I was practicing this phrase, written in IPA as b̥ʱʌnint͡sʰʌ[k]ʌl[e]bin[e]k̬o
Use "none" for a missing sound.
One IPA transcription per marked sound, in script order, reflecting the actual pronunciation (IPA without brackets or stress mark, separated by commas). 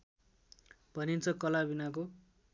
k, a, a